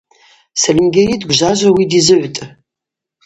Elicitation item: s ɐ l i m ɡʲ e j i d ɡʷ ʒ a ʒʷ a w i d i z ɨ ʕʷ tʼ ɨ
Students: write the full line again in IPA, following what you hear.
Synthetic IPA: s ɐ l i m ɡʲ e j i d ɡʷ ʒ a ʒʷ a w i d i z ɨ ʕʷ tʼ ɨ